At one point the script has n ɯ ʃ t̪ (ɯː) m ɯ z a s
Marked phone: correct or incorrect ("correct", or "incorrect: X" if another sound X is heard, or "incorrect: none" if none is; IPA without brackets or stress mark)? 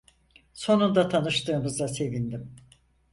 correct